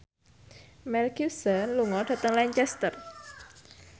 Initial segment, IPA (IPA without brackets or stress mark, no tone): m